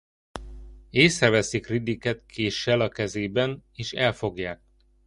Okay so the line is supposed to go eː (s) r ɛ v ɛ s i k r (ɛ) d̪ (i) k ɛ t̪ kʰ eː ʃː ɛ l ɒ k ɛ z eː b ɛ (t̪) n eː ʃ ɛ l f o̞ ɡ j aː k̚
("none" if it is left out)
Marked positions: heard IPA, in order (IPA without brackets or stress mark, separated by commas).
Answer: s, i, i, none